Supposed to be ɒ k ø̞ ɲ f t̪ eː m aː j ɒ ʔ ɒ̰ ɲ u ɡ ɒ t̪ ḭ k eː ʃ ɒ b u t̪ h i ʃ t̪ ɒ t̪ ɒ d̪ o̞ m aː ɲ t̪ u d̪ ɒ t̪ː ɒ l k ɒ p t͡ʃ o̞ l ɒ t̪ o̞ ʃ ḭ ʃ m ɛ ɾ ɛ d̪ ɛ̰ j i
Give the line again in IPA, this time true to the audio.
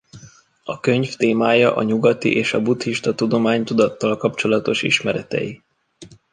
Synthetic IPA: ɒ k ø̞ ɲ f t̪ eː m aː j ɒ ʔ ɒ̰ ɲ u ɡ ɒ t̪ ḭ ʔ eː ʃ ɒ b u t̪ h i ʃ t̪ ɒ t̪ u d̪ o̞ m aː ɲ t̪ u d̪ ɒ t̪ː ɒ l k ɒ p t͡ʃ o̞ l ɒ t̪ o̞ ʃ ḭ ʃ m ɛ ɾ ɛ t̪ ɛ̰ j i

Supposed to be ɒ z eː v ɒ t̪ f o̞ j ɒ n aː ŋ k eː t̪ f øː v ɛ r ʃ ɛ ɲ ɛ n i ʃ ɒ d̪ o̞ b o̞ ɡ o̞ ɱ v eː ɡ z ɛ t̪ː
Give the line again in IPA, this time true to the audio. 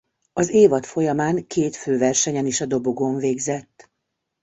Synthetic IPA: ɒ z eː v ɒ t̪ f o̞ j ɒ m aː ŋ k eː t̪ f øː v ɛ r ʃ ɛ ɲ ɛ n i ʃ ɒ d̪ o̞ b o̞ ɡ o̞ ɱ v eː ɡ z ɛ t̪ː

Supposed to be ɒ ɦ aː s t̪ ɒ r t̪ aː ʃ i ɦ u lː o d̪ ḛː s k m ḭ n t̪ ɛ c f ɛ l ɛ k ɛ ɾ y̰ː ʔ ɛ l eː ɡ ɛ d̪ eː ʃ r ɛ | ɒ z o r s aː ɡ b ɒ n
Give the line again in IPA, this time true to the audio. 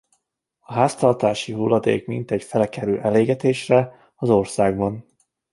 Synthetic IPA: ɒ ɦ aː s t̪ ɒ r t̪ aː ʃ i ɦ u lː ɒ d̪ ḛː k m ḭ n t̪ ɛ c f ɛ l ɛ k ɛ ɾ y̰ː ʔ ɛ l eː ɡ ɛ t̪ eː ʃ r ɛ | ɒ z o r s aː ɡ b ɒ n

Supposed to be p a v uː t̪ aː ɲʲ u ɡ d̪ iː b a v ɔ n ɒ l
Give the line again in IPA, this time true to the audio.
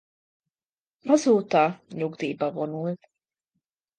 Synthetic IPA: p a z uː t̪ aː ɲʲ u ɡ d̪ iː b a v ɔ n u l

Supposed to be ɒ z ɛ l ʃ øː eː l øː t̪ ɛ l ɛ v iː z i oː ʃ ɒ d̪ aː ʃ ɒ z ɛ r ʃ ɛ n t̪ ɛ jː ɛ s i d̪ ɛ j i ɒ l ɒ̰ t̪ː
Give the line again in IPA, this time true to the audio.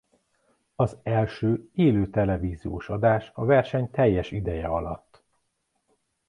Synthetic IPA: ɒ z ɛ l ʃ øː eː l øː t̪ ɛ l ɛ v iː z i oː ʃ ɒ d̪ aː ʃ ɒ v ɛ r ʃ ɛ ɲ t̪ ɛ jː ɛ ʃ i d̪ ɛ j ɛ ɒ l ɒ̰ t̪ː

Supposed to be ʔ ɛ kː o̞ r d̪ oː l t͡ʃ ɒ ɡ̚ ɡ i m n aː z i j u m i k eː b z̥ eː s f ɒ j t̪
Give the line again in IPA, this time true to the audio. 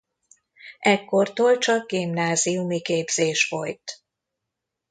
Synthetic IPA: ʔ ɛ kː o̞ r t̪ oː l t͡ʃ ɒ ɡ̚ ɡ i m n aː z i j u m i k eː b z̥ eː ʃ f o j t̪

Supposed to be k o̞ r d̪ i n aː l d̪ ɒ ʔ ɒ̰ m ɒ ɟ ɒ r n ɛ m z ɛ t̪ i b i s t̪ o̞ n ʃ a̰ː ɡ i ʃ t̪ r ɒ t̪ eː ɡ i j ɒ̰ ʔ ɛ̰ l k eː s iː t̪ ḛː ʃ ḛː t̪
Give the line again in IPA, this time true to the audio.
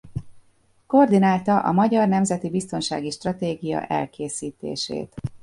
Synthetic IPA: k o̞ r d̪ i n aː l t̪ ɒ ʔ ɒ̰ m ɒ ɟ ɒ r n ɛ m z ɛ t̪ i b i s t̪ o̞ n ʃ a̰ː ɡ i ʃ t̪ r ɒ t̪ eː ɡ i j ɒ̰ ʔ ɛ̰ l k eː s iː t̪ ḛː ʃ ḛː t̪

